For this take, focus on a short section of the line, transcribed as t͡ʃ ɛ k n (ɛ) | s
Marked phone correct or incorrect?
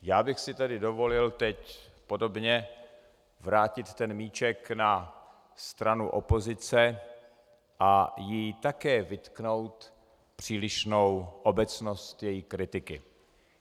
incorrect